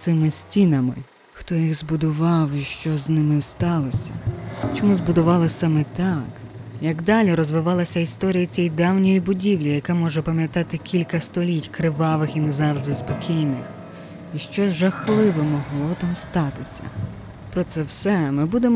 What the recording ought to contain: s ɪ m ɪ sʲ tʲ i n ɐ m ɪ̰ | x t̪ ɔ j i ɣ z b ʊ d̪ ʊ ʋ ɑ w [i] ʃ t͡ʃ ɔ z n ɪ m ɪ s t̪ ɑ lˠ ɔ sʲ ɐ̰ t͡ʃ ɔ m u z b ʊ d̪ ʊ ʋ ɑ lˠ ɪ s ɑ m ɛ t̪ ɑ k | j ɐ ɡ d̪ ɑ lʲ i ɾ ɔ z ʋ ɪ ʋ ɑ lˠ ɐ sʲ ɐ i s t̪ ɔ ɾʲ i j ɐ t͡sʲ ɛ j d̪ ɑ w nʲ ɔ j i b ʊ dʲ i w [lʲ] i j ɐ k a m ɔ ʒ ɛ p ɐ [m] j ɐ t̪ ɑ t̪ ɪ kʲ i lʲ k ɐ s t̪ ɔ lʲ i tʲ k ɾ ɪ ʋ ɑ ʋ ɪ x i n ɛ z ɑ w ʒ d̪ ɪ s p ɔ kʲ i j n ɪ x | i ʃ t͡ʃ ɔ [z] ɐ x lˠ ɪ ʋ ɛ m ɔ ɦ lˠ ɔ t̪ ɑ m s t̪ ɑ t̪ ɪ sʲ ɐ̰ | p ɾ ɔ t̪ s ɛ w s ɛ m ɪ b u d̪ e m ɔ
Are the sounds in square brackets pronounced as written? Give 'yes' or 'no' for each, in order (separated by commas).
yes, yes, yes, no